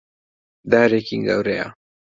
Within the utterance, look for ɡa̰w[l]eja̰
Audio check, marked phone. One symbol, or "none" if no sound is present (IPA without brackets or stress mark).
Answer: ɾ